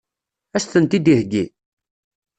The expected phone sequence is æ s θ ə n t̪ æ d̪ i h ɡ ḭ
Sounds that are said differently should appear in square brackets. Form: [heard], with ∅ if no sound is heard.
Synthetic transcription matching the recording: æ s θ ə n t̪ [i] d̪ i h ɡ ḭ